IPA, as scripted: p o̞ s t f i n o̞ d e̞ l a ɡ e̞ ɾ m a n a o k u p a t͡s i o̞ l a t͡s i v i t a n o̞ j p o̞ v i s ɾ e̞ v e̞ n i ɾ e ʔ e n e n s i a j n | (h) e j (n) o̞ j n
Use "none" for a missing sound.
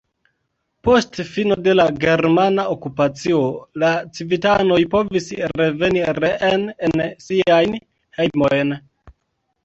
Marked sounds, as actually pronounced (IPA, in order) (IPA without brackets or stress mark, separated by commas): h, m